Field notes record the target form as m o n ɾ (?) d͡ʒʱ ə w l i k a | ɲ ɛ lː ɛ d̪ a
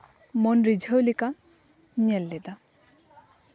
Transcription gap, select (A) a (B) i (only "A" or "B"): B